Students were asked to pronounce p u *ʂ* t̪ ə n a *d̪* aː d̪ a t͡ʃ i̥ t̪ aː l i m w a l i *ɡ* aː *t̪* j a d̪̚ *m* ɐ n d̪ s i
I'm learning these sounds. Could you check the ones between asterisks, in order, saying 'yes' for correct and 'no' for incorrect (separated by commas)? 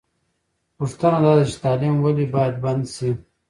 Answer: yes, yes, no, no, no